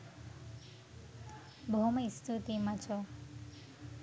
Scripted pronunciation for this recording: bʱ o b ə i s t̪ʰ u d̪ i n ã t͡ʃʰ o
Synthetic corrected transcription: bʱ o m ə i s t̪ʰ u t̪ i m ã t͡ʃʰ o